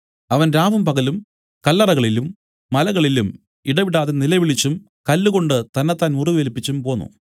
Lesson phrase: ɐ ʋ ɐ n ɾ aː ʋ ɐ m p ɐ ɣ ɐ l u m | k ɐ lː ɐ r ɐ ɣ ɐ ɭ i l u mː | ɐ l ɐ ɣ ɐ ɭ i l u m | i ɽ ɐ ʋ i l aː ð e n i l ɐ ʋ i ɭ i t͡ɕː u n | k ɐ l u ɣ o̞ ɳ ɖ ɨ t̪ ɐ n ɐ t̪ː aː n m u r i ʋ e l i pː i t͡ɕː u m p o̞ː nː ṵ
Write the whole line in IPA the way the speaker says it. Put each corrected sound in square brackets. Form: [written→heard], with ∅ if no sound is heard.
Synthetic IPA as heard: ɐ ʋ ɐ n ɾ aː ʋ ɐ m p ɐ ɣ ɐ l u m | k ɐ lː ɐ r ɐ ɣ ɐ ɭ i l u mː | ɐ l ɐ ɣ ɐ ɭ i l u m | i ɽ ɐ ʋ i [l→ɽ] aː ð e n i l ɐ ʋ i ɭ i t͡ɕː u [n→m] | k ɐ [l→lː] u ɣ o̞ ɳ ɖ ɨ t̪ ɐ [n→nː] ɐ t̪ː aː n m u r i ʋ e l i pː i t͡ɕː u m p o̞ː nː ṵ